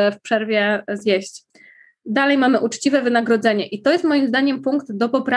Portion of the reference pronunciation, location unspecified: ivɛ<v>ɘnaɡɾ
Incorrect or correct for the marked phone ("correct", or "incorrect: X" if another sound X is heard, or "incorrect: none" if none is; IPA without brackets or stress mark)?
correct